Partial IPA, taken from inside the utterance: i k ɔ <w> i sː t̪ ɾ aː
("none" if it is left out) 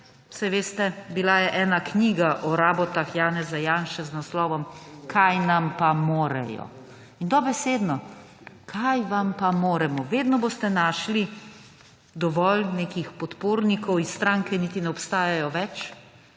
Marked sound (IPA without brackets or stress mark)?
w